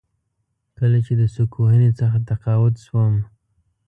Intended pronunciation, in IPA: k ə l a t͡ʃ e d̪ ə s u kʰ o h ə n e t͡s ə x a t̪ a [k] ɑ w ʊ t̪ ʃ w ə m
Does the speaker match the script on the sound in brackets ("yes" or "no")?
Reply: no